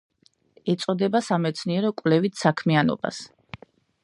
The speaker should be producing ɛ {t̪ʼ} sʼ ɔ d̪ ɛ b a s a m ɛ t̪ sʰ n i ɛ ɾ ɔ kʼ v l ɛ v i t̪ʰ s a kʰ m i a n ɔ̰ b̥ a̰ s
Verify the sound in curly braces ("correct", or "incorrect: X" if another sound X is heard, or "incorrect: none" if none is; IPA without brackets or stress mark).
incorrect: t̪